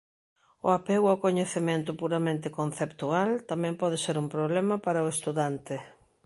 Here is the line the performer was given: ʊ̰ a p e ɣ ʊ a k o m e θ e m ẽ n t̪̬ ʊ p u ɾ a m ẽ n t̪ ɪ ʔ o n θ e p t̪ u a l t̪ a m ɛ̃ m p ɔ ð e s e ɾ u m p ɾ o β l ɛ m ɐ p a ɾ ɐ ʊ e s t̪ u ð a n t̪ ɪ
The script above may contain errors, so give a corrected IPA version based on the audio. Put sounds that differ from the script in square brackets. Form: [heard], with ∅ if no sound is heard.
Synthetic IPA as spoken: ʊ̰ a p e ɣ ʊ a k o [ɲ] e θ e m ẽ n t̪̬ ʊ p u ɾ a m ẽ n t̪ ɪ [k] o n θ e p t̪ u a l t̪ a m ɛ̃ m p ɔ ð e s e ɾ u m p ɾ o β l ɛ m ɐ p a ɾ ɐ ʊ e s t̪ u ð a n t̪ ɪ